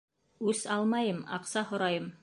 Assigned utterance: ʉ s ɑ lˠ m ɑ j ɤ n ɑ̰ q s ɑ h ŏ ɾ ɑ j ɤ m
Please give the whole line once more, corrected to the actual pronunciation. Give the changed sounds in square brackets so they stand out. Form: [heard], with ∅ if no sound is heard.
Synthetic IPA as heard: ʉ s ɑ lˠ m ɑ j ɤ [m] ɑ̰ q s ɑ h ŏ ɾ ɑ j ɤ m